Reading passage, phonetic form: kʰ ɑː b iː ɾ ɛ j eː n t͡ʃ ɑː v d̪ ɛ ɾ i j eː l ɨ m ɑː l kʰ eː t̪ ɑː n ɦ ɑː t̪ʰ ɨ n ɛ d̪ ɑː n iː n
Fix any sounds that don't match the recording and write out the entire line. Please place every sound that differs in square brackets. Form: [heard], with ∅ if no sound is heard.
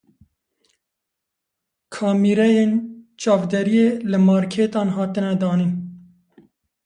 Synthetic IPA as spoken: kʰ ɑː [m] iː ɾ ɛ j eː n t͡ʃ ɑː v d̪ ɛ ɾ i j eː l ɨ m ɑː [ɾ] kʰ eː t̪ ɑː n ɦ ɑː [t̪] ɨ n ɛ d̪ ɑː n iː n